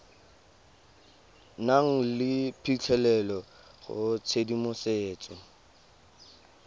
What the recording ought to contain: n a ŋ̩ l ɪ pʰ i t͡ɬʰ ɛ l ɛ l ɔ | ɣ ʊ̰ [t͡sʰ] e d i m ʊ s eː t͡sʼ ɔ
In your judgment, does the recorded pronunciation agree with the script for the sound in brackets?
yes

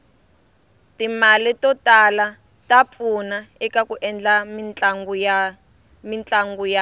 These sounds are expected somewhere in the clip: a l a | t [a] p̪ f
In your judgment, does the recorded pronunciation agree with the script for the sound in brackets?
yes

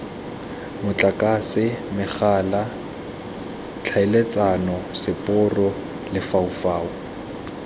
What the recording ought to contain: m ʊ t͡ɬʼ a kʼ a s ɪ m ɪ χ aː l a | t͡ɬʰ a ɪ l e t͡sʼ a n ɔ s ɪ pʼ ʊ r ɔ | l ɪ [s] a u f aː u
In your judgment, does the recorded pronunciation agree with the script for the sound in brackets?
no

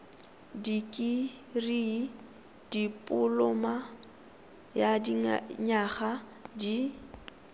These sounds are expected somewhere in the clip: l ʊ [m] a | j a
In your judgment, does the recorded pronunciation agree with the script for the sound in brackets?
yes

